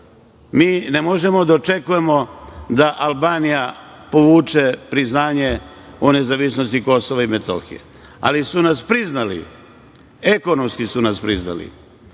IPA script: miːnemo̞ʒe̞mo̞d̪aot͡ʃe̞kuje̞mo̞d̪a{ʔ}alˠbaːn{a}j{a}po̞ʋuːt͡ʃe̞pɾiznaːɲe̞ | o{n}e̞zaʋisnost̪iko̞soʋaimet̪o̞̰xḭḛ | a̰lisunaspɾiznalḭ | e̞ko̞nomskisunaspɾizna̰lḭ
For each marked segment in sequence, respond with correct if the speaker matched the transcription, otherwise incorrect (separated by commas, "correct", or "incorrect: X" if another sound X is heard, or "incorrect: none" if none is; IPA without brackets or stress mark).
correct, incorrect: i, correct, correct